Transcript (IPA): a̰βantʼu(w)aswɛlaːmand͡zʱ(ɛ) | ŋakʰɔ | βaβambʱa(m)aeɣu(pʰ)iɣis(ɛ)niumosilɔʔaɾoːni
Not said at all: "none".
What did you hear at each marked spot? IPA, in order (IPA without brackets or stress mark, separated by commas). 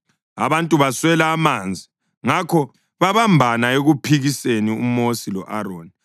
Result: β, i, n, pʰ, e